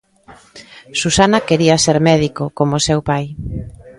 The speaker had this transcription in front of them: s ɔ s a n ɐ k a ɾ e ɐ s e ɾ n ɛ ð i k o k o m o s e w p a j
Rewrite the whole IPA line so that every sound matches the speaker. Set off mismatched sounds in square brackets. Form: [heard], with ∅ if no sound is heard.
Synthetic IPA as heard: s [u] s a n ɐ k [e] ɾ [i] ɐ s e ɾ [m] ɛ ð i k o k o m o s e w p a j